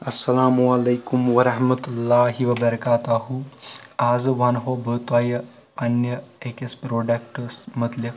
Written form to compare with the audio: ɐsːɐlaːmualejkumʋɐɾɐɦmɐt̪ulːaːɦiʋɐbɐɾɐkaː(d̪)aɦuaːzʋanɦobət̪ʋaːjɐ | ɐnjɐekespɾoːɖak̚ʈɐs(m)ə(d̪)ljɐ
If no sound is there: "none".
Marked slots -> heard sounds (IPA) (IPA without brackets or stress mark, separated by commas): t̪, m, t̪